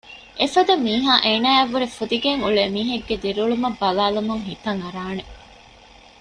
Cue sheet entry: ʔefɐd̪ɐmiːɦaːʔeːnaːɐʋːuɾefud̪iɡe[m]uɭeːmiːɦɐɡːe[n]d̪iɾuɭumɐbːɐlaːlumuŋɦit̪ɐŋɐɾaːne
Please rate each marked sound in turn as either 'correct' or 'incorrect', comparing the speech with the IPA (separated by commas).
incorrect, incorrect